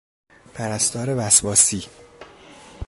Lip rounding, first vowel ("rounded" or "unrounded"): unrounded